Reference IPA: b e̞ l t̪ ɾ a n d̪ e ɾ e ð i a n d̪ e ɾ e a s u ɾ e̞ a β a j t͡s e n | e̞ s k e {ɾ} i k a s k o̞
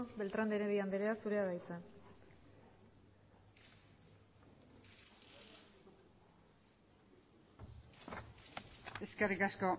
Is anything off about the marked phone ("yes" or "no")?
yes